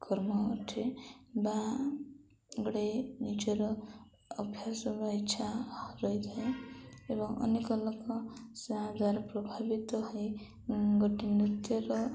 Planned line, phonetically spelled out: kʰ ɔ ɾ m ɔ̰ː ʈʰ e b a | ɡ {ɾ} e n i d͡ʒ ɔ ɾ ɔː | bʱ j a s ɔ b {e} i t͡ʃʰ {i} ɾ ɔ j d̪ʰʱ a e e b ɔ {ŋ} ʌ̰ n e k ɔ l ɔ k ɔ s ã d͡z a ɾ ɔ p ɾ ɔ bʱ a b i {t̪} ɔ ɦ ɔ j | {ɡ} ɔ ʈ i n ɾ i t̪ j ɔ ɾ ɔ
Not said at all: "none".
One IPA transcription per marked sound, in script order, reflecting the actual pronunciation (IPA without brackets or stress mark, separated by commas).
ɽ, a, a, ŋ, t̪, ɡ